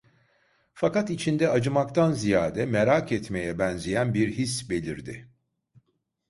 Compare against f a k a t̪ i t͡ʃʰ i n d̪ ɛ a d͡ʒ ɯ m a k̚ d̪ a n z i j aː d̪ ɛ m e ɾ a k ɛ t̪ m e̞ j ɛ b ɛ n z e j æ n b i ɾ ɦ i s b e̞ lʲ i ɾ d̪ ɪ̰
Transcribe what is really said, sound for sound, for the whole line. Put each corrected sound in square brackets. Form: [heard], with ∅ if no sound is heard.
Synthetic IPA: f a k a t̪ i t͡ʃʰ i n d̪ ɛ a d͡ʒ ɯ m a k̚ [t̪] a n z i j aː d̪ ɛ m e ɾ a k ɛ t̪ m e̞ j ɛ b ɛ n z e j æ n b i ɾ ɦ i s b e̞ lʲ i ɾ d̪ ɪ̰

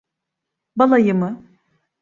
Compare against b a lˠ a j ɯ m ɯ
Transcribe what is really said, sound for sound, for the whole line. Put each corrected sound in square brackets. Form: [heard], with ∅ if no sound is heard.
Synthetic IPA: b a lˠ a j ɯ m ɯ

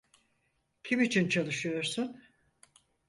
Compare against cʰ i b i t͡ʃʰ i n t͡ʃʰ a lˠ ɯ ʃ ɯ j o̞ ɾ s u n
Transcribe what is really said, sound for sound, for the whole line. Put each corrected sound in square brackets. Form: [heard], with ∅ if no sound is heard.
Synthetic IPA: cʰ i [m] i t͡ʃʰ i n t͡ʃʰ a lˠ ɯ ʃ ɯ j o̞ ɾ s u n

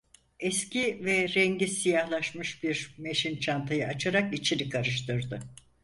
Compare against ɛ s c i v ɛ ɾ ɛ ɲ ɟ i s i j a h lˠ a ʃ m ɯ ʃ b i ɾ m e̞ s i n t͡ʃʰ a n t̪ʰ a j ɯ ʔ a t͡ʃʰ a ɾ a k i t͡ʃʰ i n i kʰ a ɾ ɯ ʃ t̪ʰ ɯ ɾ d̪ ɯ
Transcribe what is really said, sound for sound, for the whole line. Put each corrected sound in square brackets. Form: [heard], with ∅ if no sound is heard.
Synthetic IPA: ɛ s c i v ɛ ɾ ɛ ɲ ɟ i s i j a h lˠ a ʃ m ɯ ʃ b i ɾ m e̞ [ʃ] i n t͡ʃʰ a n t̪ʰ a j ɯ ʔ a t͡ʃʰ a ɾ a k i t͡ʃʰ i n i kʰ a ɾ ɯ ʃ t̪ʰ ɯ ɾ d̪ ɯ

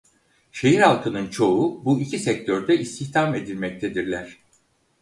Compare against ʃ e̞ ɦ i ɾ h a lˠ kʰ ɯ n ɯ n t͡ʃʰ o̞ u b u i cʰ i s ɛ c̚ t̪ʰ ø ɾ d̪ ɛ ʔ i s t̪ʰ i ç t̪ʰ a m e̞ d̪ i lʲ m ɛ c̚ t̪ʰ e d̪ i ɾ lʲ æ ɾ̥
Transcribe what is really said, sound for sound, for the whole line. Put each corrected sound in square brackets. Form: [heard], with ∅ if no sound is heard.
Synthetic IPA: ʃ e̞ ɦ i ɾ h a lˠ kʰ ɯ n ɯ n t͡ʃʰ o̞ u b u i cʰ i s ɛ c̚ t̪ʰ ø ɾ d̪ ɛ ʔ i s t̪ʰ i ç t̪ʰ a m e̞ d̪ i lʲ m ɛ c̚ t̪ʰ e d̪ i ɾ lʲ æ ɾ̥

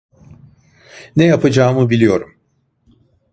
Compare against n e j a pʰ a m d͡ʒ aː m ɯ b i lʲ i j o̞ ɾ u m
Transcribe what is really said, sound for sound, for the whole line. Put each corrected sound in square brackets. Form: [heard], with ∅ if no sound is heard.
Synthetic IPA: n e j a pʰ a [∅] d͡ʒ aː m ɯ b i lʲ i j o̞ ɾ u m

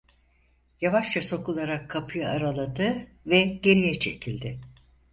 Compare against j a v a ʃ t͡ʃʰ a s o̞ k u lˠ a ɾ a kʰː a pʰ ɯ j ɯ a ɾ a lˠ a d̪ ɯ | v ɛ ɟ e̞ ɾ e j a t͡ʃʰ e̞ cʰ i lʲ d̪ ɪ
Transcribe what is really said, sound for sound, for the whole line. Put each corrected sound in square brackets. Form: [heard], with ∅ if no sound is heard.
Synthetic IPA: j a v a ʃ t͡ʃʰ a s o̞ k u lˠ a ɾ a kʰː a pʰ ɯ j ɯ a ɾ a lˠ a d̪ ɯ | v ɛ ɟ e̞ ɾ [i] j [ɛ] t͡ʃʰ e̞ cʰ i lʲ d̪ ɪ

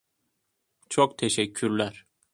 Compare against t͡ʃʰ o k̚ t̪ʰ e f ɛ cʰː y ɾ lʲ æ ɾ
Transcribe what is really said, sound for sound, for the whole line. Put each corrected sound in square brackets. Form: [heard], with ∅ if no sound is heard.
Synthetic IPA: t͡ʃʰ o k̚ t̪ʰ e [ʃ] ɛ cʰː y ɾ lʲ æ ɾ

